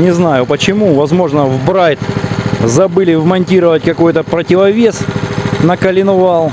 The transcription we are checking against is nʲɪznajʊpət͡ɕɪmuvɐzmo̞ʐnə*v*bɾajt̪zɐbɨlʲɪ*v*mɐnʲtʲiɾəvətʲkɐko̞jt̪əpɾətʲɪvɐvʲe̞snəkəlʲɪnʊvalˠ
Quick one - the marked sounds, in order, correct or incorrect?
correct, correct

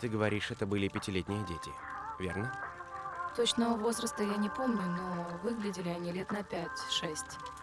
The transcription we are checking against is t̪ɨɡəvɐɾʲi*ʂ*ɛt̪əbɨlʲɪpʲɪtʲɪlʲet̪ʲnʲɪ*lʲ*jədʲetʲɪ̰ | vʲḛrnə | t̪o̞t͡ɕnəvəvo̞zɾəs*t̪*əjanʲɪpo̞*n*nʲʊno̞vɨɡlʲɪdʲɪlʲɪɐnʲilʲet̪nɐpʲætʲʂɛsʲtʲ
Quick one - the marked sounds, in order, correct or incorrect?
correct, incorrect: none, correct, incorrect: m

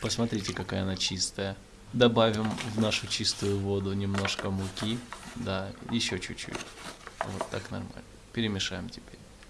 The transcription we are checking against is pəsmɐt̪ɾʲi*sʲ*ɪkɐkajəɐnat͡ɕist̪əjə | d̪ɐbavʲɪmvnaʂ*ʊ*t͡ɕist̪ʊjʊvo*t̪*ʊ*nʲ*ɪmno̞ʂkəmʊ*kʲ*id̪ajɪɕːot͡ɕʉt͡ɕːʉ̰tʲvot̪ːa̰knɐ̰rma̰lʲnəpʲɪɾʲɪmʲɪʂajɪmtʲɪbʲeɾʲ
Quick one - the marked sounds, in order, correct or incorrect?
incorrect: tʲ, correct, incorrect: d̪, correct, correct

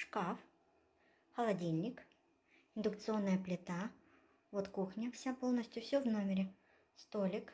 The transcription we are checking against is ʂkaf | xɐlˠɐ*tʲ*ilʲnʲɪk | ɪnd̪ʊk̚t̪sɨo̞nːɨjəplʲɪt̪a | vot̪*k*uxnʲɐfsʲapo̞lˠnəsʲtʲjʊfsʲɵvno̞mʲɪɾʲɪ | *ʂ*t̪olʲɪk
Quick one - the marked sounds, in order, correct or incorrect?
incorrect: dʲ, correct, incorrect: s

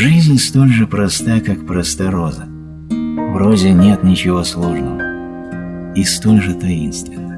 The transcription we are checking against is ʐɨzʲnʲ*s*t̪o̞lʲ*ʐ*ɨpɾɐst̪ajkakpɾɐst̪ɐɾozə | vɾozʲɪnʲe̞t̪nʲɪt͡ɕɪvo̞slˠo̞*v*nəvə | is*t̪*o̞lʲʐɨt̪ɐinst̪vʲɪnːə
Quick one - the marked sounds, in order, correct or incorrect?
correct, correct, incorrect: ʐ, correct

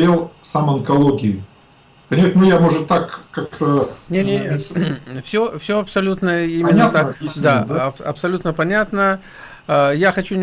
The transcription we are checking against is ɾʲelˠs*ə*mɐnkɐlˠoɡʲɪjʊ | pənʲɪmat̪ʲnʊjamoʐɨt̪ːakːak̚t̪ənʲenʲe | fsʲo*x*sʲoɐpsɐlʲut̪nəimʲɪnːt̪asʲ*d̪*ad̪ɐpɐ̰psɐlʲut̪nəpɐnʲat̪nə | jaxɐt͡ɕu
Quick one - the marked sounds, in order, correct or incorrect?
incorrect: a, incorrect: f, correct

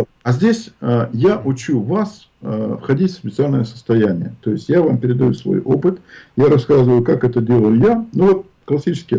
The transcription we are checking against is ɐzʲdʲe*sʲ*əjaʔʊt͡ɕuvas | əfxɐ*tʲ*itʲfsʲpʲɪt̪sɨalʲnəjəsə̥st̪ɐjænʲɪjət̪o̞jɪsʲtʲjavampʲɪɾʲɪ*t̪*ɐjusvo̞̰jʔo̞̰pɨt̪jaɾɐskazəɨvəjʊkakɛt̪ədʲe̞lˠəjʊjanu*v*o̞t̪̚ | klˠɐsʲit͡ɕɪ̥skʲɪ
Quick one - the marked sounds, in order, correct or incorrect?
correct, incorrect: dʲ, incorrect: d̪, correct

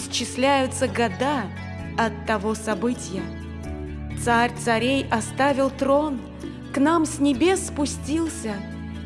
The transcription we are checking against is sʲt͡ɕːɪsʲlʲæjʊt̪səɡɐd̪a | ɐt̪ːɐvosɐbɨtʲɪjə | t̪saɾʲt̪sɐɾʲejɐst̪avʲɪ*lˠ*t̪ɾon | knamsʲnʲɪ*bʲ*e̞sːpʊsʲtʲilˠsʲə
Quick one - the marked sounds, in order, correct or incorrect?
correct, correct

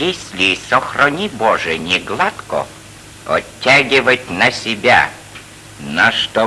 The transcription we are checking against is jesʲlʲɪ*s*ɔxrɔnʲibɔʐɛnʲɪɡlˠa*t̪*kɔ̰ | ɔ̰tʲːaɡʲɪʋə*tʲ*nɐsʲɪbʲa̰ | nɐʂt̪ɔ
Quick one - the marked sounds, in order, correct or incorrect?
correct, correct, correct

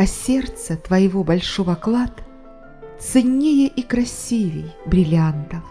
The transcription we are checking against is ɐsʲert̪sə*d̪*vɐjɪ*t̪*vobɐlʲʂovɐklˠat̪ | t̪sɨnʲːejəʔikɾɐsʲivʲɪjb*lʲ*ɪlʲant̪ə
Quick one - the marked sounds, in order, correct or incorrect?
incorrect: t̪, incorrect: none, incorrect: ɾʲ

